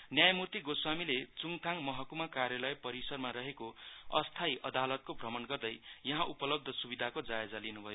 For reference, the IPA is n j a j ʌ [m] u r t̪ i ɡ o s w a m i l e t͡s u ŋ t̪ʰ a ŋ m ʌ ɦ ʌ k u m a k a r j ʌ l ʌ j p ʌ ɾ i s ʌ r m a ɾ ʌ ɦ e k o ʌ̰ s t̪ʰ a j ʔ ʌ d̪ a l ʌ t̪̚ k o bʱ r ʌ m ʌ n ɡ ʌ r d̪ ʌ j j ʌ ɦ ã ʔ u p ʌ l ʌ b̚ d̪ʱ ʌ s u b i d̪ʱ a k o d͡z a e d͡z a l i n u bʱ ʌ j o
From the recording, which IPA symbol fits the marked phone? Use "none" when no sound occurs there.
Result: m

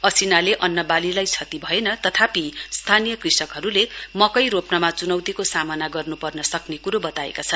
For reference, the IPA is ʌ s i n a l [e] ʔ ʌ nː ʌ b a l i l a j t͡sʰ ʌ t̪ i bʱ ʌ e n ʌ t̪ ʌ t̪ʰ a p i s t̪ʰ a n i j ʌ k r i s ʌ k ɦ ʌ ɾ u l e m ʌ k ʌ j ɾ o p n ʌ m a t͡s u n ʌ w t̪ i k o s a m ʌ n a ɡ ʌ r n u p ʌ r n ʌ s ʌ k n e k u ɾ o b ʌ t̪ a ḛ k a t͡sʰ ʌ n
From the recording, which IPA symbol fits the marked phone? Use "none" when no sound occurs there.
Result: e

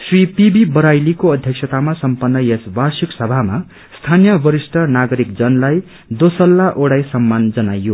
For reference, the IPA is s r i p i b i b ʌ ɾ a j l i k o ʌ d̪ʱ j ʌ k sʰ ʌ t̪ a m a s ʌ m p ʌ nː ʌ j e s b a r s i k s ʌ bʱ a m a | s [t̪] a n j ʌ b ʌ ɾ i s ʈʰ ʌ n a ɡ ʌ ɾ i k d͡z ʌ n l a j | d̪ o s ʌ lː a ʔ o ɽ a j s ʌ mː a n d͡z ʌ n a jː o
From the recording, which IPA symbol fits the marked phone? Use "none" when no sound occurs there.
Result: t̪ʰ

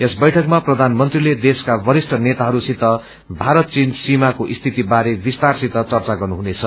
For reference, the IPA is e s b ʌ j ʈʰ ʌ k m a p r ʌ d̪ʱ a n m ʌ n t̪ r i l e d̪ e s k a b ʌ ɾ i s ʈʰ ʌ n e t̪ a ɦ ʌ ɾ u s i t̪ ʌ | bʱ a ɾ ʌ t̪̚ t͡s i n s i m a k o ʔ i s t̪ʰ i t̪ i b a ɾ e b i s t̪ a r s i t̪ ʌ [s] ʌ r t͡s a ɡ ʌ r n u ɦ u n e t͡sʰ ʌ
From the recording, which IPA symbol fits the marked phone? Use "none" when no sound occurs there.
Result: t͡s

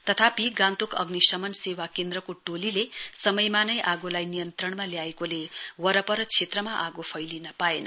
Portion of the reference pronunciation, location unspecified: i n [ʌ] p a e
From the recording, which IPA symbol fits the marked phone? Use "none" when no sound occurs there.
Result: ʌ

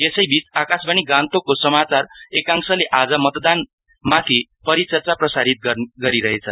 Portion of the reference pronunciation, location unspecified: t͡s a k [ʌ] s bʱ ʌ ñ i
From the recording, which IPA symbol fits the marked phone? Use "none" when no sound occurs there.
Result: a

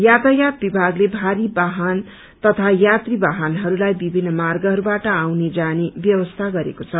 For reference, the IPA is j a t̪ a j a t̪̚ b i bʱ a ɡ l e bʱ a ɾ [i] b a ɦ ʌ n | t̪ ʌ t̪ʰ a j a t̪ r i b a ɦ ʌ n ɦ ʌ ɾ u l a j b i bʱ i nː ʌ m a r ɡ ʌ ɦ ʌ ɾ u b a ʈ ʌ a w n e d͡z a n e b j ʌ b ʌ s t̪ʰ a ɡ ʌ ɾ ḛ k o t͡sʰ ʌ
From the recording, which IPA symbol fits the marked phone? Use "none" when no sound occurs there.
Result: i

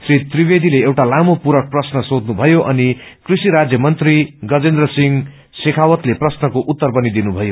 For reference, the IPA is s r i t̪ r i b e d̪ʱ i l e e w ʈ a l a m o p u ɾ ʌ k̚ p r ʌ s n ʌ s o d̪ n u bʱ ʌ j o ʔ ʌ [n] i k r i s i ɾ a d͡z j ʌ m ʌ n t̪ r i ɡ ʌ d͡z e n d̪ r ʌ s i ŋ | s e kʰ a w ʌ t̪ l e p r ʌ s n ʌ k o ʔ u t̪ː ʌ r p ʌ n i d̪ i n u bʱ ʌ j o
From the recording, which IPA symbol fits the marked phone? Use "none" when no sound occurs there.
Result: n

